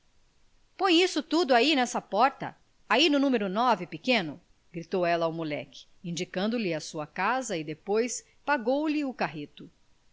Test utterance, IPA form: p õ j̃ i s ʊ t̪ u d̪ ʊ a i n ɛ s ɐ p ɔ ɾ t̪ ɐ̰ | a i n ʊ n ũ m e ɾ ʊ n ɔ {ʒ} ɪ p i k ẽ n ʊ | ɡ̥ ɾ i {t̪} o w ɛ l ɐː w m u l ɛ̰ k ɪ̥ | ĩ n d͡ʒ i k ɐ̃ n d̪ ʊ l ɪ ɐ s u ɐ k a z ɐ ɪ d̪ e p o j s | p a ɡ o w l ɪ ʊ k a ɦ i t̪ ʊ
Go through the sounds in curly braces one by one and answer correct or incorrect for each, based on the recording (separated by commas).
incorrect, correct